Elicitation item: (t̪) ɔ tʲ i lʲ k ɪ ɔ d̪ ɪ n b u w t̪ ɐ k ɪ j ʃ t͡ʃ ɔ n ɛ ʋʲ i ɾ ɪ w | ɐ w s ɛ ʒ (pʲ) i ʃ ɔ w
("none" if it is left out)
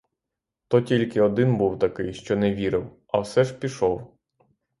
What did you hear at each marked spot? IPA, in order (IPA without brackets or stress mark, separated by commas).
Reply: t̪, pʲ